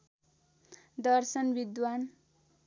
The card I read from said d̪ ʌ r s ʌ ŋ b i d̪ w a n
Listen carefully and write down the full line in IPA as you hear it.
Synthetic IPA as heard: d̪ ʌ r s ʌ n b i d̪ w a n